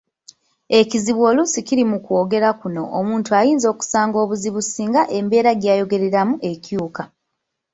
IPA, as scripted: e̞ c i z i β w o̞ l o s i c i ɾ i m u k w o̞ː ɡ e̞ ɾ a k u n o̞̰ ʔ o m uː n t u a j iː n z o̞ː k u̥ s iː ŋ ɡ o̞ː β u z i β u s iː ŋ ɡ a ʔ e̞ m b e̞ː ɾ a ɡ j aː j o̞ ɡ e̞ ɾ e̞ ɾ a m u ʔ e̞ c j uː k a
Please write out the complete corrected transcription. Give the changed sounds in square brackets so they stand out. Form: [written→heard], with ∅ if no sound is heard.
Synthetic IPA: e̞ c i z i β w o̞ l [o→u] s i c i ɾ i m u k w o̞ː ɡ e̞ ɾ a k u n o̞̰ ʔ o m uː n t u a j iː n z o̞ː k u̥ s [iː→aː] ŋ ɡ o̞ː β u z i β u s iː ŋ ɡ a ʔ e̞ m b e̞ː ɾ a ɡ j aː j o̞ ɡ e̞ ɾ e̞ ɾ a m u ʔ e̞ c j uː k a